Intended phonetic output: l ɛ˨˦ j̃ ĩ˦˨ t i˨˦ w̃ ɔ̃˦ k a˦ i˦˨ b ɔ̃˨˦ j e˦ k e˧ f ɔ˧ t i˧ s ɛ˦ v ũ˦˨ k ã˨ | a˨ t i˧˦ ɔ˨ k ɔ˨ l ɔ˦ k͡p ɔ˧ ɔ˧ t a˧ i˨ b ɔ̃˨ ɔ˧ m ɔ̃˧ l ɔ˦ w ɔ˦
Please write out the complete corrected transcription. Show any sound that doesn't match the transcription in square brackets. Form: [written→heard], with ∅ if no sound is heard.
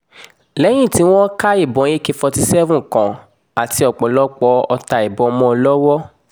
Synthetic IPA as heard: l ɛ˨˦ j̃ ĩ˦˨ t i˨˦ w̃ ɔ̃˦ k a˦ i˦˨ b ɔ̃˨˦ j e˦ k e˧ f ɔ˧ t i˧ s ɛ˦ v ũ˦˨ k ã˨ | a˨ t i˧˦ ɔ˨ [k→k͡p] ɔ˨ l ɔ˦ k͡p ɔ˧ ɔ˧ t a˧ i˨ b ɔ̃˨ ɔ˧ m ɔ̃˧ l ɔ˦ w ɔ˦